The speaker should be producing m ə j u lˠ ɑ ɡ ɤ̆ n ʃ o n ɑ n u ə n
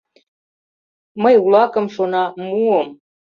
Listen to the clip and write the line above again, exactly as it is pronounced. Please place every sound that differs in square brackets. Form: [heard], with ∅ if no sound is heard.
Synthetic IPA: m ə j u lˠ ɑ [k] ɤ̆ [m] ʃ o n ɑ [m] u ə [m]

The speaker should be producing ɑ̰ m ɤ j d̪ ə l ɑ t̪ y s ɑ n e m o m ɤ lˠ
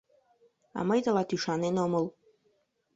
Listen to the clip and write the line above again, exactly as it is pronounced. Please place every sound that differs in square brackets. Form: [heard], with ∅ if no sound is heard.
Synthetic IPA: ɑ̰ m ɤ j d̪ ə l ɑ t̪ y [ʃ] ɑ n e [n] o m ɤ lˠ

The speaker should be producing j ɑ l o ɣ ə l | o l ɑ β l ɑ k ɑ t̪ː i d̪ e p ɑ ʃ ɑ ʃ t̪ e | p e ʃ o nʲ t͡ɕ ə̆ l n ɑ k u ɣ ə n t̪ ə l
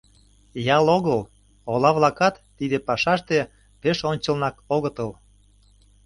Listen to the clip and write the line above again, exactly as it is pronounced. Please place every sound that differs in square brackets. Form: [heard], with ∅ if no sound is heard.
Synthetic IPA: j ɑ l o ɣ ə l | o l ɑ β l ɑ k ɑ t̪ː i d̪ e p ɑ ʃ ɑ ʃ t̪ e | p e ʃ o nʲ t͡ɕ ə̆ l n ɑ k [o] ɣ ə [∅] t̪ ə l

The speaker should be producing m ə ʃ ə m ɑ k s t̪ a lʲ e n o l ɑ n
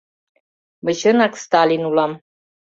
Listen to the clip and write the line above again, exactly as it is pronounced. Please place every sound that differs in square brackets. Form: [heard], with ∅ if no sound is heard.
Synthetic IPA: m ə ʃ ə [n] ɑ k s t̪ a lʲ [i] n [u] l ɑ [m]

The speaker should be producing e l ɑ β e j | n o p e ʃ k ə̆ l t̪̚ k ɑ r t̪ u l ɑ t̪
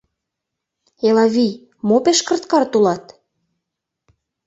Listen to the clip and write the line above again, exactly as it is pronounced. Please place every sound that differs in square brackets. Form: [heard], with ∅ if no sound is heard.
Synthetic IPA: e l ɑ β [i] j | [m] o p e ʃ k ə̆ [r] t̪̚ k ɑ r t̪ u l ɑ t̪

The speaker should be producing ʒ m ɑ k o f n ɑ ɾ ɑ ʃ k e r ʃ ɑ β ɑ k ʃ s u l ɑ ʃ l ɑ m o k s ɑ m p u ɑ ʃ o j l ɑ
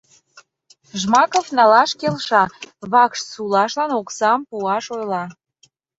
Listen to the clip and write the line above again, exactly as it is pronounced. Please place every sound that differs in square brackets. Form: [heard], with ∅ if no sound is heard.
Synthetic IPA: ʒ m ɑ k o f n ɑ [l] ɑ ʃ k e [l] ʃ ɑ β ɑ k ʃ s u l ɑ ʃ l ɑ [n] o k s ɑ m p u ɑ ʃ o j l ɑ

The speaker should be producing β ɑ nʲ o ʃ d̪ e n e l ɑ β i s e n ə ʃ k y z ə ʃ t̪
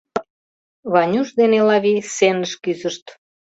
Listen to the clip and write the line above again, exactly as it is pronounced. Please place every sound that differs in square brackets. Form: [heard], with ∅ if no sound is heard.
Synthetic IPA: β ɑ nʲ [u] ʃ d̪ e n e l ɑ β i s e n ə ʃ k y z ə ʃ t̪

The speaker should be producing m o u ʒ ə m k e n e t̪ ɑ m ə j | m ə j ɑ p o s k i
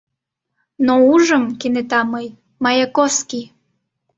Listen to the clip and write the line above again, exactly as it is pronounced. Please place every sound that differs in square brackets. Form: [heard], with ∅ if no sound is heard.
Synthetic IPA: [n] o u ʒ ə m k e n e t̪ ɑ m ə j | m [ɑ] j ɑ [k] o s k i

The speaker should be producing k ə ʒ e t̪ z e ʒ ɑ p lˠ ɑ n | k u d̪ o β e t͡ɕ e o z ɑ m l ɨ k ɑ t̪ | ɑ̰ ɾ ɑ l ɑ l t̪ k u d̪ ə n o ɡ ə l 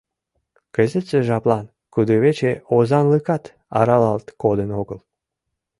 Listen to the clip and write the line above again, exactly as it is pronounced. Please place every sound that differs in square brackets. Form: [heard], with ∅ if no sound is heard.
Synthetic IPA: k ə [z] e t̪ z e ʒ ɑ p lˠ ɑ n | k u d̪ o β e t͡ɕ e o z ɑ [n] l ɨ k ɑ t̪ | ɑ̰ ɾ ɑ l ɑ l t̪ k [o] d̪ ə n o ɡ ə l

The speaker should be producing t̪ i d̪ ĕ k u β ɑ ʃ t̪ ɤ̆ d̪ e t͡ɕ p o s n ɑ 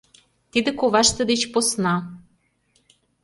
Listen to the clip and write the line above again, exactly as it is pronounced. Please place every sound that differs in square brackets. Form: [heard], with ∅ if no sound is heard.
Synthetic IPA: t̪ i d̪ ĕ k [o] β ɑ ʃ t̪ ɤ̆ d̪ e t͡ɕ p o s n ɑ

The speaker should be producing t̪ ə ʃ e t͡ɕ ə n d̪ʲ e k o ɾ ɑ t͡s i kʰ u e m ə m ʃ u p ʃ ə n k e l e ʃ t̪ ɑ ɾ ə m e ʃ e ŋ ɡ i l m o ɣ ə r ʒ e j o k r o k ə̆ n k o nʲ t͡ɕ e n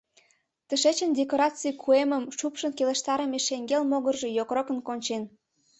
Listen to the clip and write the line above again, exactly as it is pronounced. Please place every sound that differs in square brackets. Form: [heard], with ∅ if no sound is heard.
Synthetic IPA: t̪ ə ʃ e t͡ɕ ə n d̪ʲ e k o ɾ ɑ t͡s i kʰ u e m ə m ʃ u p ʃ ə n k e l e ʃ t̪ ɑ ɾ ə m e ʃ e ŋ ɡ [e] l m o ɣ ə r ʒ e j o k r o k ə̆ n k o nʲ t͡ɕ e n

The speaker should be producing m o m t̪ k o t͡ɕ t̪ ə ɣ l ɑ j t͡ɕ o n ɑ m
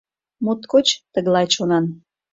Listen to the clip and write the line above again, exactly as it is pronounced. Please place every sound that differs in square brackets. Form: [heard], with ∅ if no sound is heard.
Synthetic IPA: m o [∅] t̪ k o t͡ɕ t̪ ə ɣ l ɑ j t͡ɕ o n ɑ [n]

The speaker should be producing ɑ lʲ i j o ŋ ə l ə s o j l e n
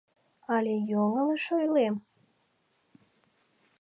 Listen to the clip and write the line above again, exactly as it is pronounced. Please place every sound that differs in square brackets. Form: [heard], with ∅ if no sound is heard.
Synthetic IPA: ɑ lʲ [e] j o ŋ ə l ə [ʃ] o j l e [m]

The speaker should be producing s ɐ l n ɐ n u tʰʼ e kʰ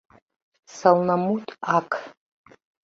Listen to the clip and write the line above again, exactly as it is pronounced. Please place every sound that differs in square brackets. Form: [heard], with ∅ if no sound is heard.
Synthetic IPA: s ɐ l n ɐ [m] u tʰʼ [a] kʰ

